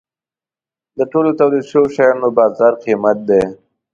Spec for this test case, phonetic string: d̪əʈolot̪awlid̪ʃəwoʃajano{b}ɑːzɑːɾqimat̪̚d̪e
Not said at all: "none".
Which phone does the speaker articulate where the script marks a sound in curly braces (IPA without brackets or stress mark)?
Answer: b